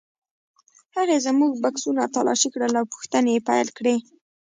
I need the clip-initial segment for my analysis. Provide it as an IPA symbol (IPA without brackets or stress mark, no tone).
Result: h